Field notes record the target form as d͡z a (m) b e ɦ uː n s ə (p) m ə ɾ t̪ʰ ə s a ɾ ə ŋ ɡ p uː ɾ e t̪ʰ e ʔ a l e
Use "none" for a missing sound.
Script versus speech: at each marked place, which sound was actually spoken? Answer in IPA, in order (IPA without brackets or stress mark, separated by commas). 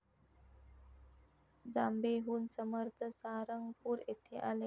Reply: m, none